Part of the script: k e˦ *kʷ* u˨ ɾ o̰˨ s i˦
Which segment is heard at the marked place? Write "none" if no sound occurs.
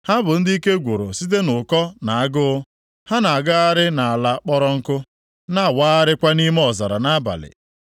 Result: ɡʷ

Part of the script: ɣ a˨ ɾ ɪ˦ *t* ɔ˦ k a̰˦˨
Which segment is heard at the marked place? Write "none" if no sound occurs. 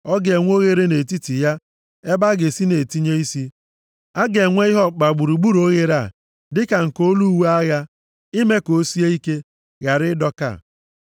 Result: d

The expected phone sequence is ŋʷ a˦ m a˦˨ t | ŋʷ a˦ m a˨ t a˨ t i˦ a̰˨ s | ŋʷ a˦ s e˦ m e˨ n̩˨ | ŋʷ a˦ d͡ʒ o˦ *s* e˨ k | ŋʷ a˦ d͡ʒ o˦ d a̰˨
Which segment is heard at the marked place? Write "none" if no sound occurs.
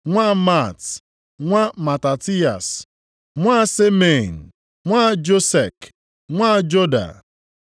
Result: s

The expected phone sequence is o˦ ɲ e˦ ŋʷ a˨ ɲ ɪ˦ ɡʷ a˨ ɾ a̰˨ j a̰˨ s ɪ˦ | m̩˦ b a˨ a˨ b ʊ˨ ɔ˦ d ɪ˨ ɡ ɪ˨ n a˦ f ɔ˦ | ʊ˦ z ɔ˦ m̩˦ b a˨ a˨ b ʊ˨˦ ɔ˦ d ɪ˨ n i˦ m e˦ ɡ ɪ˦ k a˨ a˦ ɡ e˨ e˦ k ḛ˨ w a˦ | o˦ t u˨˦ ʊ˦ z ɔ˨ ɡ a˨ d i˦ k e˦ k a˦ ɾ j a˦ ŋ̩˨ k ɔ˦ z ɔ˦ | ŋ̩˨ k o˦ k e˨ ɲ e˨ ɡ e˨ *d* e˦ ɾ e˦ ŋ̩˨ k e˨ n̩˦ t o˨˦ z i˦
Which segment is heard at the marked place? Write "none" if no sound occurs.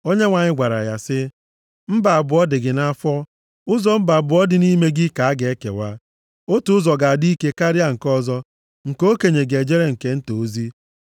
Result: d͡ʒ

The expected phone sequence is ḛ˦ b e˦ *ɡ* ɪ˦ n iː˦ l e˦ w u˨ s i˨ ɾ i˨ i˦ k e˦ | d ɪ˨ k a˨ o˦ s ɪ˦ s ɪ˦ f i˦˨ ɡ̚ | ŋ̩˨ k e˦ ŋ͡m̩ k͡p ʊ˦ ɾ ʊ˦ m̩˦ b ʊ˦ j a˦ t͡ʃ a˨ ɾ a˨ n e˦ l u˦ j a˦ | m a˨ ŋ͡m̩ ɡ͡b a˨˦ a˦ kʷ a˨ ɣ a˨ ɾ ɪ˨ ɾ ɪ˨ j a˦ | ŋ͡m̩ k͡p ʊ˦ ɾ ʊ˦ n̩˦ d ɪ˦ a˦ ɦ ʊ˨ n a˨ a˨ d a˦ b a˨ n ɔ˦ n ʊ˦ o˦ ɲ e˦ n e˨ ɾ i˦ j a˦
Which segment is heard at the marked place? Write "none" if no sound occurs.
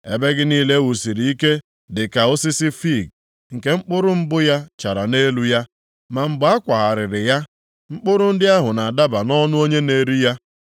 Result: ɡ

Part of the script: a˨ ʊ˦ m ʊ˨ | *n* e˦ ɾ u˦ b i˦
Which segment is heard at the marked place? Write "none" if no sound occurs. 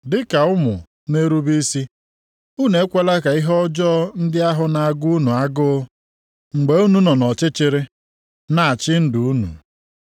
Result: n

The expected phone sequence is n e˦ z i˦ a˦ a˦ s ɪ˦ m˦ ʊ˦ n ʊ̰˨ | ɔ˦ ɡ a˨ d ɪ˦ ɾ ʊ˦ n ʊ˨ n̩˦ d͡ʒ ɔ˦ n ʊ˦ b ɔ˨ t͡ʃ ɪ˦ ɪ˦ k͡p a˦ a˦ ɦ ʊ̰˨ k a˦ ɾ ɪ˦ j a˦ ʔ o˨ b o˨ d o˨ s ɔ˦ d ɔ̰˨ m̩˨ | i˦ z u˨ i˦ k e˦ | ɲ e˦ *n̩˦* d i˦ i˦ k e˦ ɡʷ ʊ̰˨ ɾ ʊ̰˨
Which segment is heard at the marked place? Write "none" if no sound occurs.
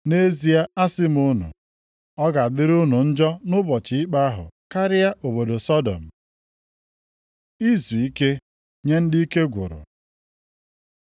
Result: n̩˦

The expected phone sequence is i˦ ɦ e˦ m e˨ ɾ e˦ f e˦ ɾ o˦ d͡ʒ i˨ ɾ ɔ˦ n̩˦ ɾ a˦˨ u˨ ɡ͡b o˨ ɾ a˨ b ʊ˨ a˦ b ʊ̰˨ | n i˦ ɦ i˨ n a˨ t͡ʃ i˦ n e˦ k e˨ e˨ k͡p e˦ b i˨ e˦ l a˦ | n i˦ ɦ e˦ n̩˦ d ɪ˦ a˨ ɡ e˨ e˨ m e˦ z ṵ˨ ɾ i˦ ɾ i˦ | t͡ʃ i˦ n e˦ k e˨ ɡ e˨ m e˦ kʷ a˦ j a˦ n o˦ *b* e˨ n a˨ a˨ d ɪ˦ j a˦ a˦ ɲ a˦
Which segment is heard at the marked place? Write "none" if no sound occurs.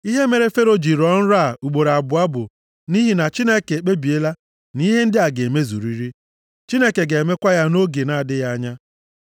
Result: ɡ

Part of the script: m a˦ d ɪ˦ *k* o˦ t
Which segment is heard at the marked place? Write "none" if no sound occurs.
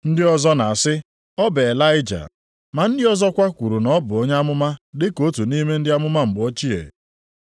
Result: k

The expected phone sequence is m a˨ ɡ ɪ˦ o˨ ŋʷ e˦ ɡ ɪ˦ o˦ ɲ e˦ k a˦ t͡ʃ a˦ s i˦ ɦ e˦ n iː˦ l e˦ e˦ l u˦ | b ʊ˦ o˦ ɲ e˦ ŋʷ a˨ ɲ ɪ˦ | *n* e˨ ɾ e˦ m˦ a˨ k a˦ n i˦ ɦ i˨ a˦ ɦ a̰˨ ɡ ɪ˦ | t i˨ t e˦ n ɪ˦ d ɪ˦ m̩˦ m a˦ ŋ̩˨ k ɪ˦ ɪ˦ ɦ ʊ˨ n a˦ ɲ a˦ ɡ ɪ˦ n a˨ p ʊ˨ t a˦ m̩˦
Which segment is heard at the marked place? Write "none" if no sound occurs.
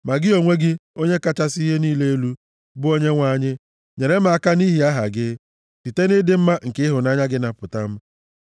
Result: ɲ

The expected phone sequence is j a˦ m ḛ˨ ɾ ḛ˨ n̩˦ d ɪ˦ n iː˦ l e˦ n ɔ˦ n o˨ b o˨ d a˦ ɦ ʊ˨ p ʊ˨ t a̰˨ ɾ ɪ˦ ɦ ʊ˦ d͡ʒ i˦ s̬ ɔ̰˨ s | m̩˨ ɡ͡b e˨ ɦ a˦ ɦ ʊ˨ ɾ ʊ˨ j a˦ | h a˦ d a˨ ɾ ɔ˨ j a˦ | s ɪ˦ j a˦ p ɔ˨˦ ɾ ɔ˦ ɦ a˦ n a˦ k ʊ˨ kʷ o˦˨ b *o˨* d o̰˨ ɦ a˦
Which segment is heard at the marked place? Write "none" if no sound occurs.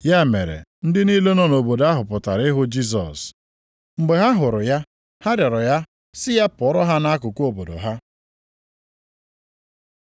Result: o˨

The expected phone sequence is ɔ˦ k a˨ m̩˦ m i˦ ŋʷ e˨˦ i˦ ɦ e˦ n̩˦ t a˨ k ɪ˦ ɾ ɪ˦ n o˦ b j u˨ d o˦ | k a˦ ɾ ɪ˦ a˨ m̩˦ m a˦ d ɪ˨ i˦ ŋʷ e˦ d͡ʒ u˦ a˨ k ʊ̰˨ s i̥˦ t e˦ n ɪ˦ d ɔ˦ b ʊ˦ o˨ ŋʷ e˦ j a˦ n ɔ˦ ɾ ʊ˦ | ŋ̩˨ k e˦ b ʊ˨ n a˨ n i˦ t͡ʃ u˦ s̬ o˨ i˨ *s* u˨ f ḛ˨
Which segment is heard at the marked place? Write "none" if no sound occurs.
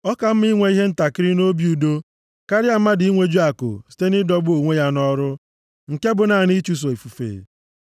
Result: f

